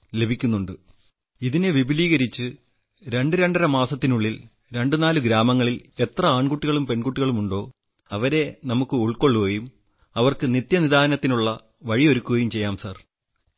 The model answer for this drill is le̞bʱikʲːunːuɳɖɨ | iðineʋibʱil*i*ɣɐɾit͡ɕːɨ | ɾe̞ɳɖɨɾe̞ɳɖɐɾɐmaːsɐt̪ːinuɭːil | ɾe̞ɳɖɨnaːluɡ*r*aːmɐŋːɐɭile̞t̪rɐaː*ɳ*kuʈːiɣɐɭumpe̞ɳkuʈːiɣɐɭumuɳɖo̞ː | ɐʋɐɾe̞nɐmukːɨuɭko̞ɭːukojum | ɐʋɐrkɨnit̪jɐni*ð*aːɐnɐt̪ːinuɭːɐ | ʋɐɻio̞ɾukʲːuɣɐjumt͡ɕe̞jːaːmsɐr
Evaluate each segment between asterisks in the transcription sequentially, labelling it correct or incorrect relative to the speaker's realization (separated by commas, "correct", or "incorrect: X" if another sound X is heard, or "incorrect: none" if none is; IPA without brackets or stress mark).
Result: incorrect: iː, incorrect: ɾ, correct, correct